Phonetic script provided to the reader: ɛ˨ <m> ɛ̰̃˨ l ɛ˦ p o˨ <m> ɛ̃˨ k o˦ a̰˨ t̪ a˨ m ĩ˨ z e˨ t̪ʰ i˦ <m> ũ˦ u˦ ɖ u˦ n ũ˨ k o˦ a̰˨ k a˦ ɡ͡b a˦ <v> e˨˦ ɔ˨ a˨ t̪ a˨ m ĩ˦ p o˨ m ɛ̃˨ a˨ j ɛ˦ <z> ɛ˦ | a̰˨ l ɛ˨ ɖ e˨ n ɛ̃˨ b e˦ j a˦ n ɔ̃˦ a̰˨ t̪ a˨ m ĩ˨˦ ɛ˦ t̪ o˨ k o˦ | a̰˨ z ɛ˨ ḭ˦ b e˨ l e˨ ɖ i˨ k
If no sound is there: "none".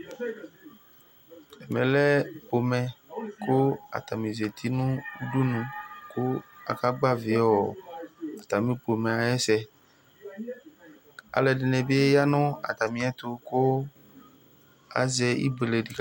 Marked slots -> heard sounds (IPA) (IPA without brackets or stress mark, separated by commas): m, m, n, v, s